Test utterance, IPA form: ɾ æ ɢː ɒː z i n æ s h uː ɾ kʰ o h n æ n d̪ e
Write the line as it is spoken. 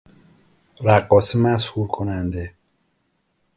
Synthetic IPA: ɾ æ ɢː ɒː s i m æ s h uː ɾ kʰ o n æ n d̪ e